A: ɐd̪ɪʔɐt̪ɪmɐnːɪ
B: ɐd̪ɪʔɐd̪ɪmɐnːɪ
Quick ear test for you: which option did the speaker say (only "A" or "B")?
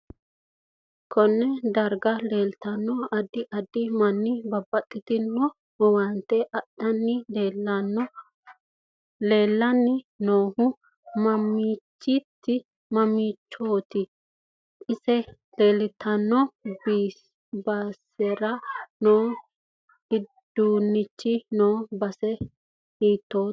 B